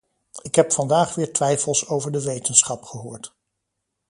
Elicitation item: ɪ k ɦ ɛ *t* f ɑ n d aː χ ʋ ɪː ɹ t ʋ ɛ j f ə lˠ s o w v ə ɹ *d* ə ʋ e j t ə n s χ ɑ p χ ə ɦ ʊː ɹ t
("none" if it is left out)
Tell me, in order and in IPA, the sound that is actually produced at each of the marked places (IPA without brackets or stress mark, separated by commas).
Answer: p, d